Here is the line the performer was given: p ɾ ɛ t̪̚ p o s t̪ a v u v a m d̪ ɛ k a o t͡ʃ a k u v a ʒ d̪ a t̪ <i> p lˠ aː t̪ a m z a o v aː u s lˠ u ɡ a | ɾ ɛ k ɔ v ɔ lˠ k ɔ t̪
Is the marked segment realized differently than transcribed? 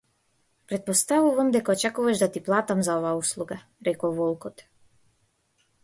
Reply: no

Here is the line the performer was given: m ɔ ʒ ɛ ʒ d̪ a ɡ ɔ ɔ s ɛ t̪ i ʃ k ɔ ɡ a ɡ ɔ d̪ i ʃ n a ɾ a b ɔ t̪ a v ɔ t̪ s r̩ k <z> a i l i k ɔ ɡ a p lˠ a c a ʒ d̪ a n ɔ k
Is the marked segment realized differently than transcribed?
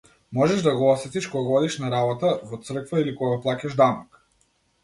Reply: yes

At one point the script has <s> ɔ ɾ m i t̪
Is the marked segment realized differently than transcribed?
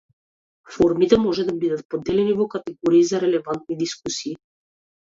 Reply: yes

